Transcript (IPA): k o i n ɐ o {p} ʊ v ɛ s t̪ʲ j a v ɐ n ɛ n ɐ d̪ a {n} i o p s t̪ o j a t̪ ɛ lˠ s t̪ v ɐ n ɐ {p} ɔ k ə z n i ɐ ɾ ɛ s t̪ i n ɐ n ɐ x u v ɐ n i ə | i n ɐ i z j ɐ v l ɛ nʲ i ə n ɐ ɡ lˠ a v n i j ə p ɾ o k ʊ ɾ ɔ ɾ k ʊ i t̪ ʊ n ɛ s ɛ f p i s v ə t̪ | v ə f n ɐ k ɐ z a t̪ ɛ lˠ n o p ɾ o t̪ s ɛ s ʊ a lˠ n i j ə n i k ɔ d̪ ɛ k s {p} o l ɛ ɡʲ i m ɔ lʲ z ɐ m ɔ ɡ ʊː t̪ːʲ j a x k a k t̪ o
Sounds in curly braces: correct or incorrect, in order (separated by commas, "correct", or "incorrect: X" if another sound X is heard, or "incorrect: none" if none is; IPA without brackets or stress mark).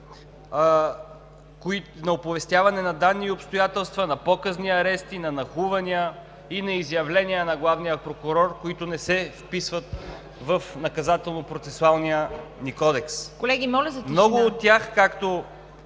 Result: correct, incorrect: nː, correct, incorrect: k